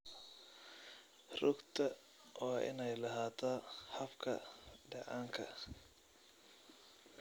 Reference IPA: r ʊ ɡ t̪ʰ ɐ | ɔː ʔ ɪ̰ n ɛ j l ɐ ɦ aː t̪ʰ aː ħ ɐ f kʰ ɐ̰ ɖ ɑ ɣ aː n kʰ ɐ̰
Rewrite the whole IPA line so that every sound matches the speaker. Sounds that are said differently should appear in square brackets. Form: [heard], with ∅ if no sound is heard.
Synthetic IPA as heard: r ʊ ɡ t̪ʰ ɐ | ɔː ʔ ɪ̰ n ɛ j l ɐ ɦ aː t̪ʰ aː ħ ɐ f kʰ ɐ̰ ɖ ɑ [ʕ] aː [ŋ] kʰ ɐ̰

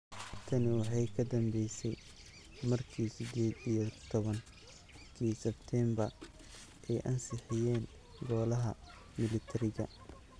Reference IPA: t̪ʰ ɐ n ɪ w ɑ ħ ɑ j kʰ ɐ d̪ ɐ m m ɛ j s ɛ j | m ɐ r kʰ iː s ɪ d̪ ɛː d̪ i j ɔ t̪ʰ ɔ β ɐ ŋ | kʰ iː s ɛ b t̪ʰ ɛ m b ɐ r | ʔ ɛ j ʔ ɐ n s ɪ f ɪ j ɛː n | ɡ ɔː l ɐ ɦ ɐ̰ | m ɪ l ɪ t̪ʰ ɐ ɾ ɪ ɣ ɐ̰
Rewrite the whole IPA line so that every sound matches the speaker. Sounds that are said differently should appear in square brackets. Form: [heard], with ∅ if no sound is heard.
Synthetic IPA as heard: t̪ʰ ɐ n ɪ w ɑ ħ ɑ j kʰ ɐ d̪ ɐ m [b] ɛ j s ɛ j | m ɐ r kʰ iː s ɪ d̪ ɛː d̪ i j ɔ t̪ʰ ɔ β ɐ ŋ | kʰ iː s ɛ b t̪ʰ ɛ m b ɐ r | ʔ ɛ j ʔ ɐ n s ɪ [ħ] ɪ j ɛː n | ɡ ɔː l ɐ ɦ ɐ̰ | m ɪ l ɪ t̪ʰ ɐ ɾ ɪ ɣ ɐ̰

